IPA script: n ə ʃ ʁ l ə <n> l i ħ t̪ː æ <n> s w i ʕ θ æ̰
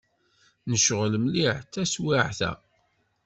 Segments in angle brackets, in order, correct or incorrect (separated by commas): incorrect, incorrect